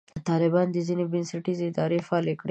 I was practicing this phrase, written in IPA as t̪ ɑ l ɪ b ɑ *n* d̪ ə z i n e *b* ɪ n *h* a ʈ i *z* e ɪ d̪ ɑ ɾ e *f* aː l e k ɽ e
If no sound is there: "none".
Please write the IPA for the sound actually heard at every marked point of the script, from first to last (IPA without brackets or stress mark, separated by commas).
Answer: n, b, s, z, f